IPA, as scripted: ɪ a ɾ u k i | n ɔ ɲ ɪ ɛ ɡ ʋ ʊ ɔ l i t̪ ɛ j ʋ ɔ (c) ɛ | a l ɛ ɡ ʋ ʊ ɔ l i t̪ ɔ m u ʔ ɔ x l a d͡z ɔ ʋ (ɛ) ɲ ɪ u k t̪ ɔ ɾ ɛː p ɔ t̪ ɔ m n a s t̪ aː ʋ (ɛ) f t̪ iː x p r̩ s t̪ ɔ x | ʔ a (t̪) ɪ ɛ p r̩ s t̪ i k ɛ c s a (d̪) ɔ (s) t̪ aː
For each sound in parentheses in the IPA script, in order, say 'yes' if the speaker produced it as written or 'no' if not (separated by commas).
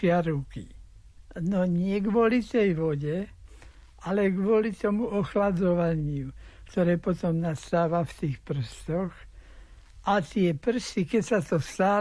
no, no, no, yes, no, yes